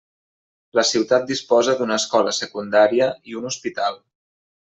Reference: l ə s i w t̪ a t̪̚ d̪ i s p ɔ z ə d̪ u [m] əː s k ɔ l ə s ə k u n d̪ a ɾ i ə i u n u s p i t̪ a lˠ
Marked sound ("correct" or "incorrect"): incorrect